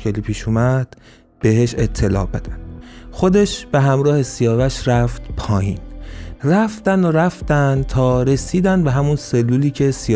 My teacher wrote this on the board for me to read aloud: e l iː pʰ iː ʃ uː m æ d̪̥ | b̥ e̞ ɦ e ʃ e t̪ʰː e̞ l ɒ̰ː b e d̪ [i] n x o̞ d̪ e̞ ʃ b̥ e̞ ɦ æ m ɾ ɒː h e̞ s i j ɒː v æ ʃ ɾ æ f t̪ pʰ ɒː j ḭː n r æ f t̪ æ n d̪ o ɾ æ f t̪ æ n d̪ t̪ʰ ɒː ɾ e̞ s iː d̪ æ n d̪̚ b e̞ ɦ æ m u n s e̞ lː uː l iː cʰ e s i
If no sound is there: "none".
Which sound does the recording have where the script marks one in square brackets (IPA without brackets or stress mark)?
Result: æ